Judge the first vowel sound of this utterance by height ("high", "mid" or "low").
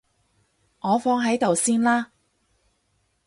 mid